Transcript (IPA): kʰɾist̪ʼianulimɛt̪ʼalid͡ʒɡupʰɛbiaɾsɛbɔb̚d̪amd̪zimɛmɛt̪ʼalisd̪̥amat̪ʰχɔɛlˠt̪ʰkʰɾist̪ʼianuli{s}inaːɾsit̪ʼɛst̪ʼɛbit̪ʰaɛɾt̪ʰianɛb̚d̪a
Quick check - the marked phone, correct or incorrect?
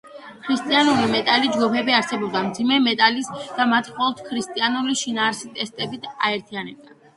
incorrect